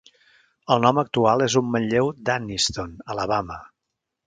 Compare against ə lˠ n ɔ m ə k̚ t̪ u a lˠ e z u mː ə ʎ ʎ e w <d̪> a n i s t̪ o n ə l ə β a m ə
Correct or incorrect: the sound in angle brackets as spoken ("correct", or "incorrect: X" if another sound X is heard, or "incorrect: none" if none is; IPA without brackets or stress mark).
correct